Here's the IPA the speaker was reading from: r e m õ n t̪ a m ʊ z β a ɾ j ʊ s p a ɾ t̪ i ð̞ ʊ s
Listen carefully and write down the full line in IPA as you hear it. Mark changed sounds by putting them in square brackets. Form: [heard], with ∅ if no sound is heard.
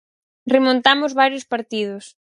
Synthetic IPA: r e m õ n t̪ a m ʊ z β a ɾ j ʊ s p a ɾ t̪ i ð̞ ʊ s